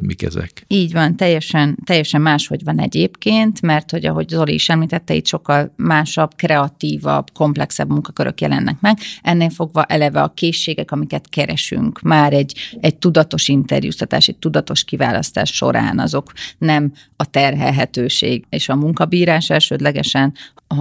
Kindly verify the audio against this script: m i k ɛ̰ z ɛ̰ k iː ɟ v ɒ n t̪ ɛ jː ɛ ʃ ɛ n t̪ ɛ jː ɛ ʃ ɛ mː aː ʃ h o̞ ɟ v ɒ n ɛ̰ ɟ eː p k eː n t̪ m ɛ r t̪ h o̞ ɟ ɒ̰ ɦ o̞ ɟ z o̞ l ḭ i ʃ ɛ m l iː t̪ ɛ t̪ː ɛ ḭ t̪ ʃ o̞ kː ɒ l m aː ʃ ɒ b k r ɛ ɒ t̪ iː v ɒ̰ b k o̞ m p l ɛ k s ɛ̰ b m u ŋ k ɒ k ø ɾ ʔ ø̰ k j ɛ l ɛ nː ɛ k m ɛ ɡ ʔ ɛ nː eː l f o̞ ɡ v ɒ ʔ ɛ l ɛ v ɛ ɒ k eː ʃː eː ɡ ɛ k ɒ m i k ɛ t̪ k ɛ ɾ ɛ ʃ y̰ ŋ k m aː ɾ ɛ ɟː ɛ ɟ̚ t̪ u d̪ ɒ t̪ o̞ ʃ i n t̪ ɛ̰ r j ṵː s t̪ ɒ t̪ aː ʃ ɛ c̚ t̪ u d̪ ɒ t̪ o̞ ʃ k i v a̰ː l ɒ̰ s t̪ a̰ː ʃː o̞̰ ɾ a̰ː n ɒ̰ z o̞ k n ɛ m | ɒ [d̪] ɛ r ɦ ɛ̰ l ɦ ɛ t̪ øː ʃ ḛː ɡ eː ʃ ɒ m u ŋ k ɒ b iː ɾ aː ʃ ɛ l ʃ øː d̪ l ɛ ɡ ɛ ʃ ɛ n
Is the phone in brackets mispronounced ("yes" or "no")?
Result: yes